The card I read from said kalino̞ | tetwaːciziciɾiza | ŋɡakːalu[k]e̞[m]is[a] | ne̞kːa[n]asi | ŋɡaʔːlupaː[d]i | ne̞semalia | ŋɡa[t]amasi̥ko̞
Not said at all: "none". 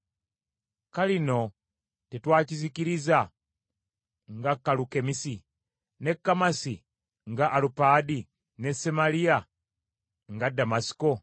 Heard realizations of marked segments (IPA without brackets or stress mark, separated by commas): k, m, i, m, d, d